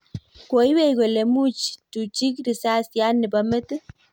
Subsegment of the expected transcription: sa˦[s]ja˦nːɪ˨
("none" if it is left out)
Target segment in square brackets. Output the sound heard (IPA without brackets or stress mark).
s